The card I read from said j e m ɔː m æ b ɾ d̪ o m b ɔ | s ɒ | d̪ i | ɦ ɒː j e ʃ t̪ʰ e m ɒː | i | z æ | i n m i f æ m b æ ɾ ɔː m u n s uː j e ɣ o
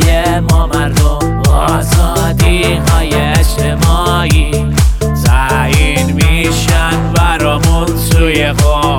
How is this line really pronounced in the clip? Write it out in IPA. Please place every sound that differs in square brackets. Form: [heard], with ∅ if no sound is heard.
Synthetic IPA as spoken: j e m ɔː m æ [∅] ɾ d̪ o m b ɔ | [z] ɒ | d̪ i | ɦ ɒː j e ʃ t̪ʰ e m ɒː | i | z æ | i n m i [ʃ] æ [n] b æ ɾ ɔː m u n s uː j e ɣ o